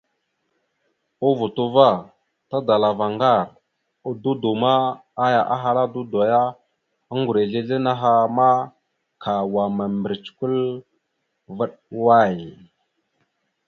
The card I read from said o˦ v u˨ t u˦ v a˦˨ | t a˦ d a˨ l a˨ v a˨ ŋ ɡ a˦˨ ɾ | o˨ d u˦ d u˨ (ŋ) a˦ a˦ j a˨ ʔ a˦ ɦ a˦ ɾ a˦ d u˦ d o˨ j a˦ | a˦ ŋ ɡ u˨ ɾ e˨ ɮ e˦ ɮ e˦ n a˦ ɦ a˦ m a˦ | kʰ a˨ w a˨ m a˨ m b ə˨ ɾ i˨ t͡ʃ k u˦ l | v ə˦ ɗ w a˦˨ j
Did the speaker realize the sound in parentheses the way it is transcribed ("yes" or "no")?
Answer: no